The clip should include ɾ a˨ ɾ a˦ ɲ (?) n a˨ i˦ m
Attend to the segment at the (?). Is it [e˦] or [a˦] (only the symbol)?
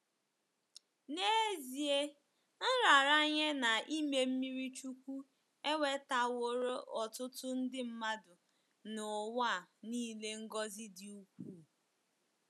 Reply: e˦